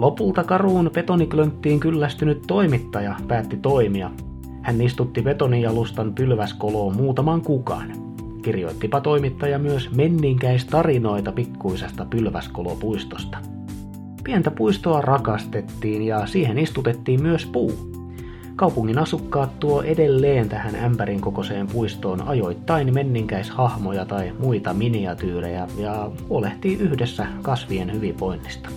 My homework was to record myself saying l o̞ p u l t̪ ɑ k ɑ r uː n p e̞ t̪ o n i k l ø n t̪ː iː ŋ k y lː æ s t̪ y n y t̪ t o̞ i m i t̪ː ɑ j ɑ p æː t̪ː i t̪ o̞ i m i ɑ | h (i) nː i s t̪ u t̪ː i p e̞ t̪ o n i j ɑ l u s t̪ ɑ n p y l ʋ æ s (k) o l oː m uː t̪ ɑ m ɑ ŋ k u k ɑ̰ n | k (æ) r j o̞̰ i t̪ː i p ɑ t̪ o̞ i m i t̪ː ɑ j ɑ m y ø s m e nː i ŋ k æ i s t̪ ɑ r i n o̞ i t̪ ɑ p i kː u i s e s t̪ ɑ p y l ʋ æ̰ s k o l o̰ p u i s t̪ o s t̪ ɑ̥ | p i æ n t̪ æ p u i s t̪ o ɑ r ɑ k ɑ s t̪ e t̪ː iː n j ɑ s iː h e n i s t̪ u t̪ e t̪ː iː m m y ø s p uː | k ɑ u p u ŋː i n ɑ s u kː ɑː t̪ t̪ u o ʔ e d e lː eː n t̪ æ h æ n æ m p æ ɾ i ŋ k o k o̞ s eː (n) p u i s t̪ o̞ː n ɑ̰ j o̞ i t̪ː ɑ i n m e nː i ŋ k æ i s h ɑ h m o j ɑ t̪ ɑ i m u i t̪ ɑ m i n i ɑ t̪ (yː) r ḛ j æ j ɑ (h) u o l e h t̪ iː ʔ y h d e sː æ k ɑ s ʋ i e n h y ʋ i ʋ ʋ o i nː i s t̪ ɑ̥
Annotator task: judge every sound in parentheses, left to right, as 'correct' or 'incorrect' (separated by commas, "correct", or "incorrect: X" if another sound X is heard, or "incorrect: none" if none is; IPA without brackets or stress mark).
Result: incorrect: æ, correct, incorrect: i, incorrect: m, correct, correct